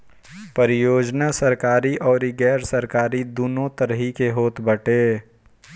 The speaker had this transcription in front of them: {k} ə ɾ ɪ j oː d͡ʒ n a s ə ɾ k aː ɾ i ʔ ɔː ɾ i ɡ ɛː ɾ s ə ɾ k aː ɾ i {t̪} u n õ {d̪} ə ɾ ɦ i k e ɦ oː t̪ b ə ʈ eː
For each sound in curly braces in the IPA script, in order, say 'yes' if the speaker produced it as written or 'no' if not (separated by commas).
no, no, no